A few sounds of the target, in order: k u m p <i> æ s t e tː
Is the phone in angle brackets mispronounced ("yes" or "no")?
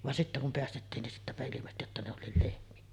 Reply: yes